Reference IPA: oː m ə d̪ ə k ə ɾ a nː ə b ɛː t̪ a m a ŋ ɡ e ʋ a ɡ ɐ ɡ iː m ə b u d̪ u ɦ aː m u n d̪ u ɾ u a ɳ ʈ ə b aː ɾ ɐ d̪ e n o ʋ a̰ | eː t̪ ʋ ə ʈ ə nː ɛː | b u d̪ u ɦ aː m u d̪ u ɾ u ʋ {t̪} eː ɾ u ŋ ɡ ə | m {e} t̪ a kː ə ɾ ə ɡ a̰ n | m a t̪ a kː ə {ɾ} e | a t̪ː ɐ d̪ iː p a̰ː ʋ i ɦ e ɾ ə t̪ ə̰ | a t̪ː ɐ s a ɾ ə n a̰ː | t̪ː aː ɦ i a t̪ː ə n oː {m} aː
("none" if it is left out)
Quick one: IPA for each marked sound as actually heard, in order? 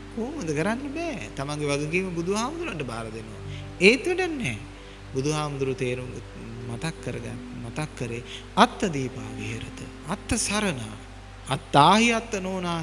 t̪, a, ɾ, n

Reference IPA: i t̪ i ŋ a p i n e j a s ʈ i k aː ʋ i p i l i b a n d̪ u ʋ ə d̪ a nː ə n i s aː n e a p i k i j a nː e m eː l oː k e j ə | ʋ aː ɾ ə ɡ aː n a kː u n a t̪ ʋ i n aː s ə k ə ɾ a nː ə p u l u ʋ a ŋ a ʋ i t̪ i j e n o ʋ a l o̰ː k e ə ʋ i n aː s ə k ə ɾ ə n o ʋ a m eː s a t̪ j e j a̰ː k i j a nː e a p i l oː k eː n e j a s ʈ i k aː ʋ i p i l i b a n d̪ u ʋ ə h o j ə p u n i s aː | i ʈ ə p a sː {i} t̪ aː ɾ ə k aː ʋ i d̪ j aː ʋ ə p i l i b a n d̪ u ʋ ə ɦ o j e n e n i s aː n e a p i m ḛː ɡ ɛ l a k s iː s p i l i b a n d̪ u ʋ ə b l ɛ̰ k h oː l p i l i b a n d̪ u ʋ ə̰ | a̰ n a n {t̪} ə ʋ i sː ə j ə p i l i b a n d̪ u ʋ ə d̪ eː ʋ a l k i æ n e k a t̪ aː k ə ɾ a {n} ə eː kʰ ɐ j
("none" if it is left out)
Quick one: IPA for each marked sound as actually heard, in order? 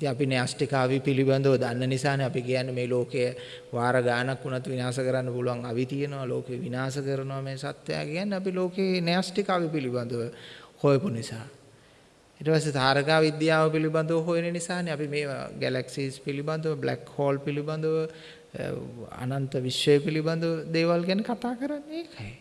e, t̪, nː

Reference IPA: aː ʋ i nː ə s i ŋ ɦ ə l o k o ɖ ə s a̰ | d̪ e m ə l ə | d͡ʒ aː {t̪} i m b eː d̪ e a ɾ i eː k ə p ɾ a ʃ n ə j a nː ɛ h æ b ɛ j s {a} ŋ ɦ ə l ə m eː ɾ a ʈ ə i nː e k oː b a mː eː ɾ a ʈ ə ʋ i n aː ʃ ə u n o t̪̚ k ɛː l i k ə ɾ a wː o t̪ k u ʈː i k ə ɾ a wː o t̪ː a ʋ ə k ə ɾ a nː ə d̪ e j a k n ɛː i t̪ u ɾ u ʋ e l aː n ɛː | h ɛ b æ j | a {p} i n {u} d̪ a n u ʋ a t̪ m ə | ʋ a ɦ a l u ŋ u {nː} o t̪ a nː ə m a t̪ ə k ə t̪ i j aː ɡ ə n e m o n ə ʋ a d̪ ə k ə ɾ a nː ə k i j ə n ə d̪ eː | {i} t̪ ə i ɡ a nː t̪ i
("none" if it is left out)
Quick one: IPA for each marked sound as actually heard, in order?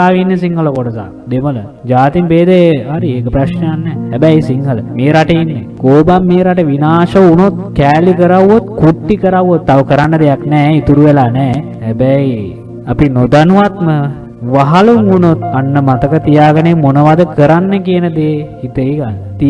t̪, i, p, o, n, i

